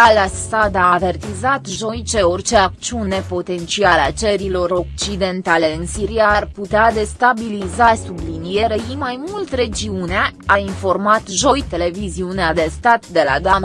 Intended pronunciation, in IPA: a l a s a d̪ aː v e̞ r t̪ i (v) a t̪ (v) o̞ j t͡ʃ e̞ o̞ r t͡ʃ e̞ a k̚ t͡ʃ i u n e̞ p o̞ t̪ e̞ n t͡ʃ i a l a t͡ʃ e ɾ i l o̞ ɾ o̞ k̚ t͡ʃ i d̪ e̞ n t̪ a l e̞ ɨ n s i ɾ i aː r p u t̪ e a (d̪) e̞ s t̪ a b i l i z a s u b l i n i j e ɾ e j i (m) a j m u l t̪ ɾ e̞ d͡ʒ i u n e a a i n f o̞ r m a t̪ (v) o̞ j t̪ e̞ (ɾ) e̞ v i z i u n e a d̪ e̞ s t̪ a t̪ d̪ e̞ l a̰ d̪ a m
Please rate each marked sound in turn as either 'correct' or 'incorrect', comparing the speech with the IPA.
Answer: incorrect, incorrect, correct, correct, incorrect, incorrect

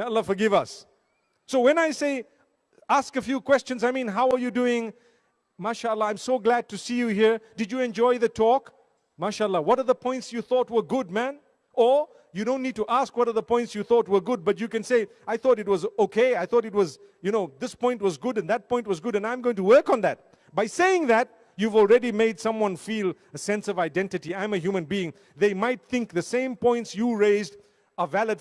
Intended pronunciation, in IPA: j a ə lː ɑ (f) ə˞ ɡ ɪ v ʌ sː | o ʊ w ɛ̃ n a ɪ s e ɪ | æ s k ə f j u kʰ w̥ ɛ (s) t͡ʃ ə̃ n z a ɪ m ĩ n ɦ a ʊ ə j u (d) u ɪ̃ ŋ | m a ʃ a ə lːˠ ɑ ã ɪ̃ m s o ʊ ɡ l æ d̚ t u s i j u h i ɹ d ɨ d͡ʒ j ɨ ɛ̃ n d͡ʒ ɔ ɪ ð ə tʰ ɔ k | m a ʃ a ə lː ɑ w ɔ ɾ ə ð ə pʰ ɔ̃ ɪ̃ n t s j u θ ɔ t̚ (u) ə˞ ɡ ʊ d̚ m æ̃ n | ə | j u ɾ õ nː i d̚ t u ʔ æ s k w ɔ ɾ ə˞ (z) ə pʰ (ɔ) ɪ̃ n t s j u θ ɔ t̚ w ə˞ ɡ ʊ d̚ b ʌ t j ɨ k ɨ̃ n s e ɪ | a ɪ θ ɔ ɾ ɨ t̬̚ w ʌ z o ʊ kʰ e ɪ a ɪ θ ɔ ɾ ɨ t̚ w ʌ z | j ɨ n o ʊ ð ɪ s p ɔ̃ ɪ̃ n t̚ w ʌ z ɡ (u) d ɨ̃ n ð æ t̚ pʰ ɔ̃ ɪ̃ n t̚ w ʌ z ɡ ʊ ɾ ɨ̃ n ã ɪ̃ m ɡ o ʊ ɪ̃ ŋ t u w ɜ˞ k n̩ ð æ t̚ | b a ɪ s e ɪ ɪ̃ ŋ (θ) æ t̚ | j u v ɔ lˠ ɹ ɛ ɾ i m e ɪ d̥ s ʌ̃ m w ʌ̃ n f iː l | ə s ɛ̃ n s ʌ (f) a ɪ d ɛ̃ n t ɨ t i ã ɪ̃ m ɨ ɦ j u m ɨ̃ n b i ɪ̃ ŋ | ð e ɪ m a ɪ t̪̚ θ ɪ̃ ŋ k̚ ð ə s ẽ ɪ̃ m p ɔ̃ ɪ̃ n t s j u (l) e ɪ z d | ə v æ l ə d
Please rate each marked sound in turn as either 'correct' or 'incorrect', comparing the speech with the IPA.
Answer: correct, correct, correct, incorrect, incorrect, incorrect, incorrect, incorrect, incorrect, incorrect

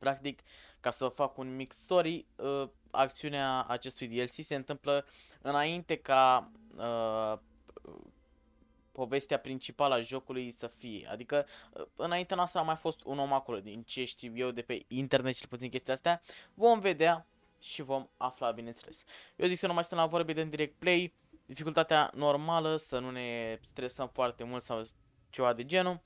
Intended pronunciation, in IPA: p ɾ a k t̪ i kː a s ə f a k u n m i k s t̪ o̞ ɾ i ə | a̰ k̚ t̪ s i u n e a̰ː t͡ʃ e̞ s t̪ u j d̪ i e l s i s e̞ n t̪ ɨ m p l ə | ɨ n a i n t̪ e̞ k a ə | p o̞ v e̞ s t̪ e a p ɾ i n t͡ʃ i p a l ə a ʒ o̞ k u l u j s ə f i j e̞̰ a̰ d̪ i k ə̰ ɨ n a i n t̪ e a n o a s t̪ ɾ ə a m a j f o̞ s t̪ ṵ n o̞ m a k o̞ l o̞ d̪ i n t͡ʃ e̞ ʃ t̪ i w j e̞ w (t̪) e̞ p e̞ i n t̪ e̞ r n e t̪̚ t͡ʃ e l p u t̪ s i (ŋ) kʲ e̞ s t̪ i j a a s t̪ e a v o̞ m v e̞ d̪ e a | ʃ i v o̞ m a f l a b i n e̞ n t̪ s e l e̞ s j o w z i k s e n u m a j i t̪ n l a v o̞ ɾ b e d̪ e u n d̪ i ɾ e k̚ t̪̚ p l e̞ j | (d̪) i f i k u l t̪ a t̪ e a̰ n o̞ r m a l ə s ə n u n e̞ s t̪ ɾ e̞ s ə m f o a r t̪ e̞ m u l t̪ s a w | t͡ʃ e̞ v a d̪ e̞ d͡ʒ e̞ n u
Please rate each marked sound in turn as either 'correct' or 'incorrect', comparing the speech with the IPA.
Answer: incorrect, incorrect, correct

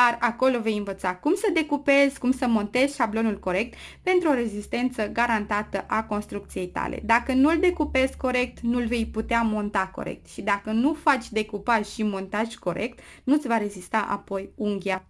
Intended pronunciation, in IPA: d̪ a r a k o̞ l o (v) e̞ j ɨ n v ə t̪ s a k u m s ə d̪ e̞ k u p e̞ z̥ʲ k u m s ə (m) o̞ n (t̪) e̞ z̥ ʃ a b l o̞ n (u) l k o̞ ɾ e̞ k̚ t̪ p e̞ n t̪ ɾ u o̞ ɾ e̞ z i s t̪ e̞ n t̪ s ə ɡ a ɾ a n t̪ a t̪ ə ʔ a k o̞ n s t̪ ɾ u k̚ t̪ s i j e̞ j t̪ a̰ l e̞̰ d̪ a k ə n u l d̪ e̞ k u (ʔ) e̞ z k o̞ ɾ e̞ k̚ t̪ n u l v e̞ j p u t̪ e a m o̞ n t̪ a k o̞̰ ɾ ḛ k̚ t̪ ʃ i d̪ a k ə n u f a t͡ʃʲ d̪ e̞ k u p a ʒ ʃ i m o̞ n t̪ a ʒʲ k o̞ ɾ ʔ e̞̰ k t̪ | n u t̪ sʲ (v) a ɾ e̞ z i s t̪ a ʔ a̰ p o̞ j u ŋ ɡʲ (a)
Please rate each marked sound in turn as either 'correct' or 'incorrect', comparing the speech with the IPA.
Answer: correct, correct, correct, correct, incorrect, correct, correct

